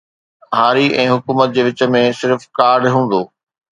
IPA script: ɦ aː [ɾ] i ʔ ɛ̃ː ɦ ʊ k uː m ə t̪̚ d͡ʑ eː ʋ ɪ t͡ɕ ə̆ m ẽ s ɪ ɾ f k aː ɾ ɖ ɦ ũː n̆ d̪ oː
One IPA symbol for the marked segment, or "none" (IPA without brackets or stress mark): ɾ